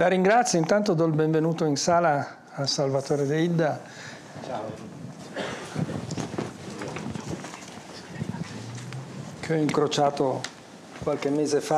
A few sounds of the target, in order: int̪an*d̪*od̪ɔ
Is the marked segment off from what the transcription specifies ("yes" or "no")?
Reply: yes